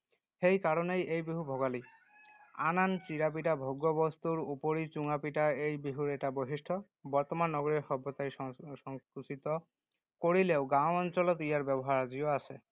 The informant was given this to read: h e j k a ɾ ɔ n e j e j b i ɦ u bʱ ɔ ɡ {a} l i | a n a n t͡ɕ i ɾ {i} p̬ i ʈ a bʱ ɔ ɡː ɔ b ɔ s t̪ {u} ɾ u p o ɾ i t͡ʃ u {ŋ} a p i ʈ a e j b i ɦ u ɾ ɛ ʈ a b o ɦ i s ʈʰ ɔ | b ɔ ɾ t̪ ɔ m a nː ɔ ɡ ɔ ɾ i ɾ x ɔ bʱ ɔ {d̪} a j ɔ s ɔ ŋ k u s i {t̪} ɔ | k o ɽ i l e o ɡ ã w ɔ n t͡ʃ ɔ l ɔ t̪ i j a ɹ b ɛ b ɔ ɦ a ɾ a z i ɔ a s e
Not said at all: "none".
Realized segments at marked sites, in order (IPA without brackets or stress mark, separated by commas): a, a, u, ŋ, t̪, t̪